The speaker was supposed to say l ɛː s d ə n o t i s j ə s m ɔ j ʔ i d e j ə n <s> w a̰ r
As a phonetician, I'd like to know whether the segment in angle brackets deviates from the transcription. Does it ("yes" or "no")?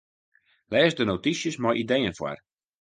yes